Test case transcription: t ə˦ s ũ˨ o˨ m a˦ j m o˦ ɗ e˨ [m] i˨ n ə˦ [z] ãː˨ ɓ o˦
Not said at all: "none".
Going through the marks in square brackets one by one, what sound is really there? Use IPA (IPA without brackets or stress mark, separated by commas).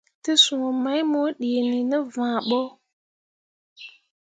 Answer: n, v